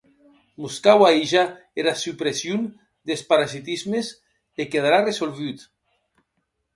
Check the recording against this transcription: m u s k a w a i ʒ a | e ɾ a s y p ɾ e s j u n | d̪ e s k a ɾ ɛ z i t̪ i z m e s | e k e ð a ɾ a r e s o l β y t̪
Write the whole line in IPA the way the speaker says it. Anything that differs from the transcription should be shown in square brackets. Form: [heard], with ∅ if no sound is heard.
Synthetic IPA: m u s k a w a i ʒ a | e ɾ a s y p ɾ e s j u n | d̪ e s [p] a ɾ [a] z i t̪ i z m e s | e k e ð a ɾ a r e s o l β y t̪